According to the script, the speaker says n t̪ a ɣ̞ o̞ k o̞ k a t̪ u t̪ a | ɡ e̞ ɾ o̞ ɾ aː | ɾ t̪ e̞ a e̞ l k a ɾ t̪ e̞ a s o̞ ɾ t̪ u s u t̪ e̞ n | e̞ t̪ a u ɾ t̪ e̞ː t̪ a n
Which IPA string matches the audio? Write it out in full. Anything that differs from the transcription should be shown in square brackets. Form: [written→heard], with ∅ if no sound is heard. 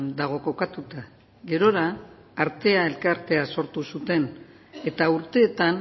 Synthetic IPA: n [t̪→d̪] a ɣ̞ o̞ k o̞ k a t̪ u t̪ a | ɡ e̞ ɾ o̞ ɾ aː | ɾ t̪ e̞ a e̞ l k a ɾ t̪ e̞ a s o̞ ɾ t̪ u s u t̪ e̞ n | e̞ t̪ a u ɾ t̪ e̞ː t̪ a n

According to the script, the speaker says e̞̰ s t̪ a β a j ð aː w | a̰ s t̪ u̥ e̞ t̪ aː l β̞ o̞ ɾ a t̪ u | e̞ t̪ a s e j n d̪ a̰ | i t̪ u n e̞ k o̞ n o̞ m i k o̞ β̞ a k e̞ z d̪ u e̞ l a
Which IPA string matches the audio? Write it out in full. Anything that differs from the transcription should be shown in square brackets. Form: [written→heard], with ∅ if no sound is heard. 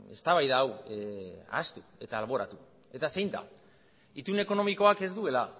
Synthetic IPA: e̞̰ s t̪ a β a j ð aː w | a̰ s t̪ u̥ e̞ t̪ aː l β̞ o̞ ɾ a t̪ u | e̞ t̪ a s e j n d̪ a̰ | i t̪ u n e̞ k o̞ n o̞ m i k o̞ [β̞→∅] a k e̞ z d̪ u e̞ l a

